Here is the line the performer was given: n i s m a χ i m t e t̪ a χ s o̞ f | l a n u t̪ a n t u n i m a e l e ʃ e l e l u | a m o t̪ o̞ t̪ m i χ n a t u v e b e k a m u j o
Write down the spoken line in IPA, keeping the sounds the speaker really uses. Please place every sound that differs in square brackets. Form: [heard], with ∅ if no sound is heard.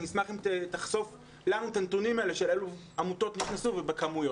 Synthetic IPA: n i s m a χ i m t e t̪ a χ s o̞ f | l a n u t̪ a n t u n i m a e l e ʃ e l e l u | a m [u] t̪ o̞ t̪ [n] i χ n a [s] u v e b e k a m u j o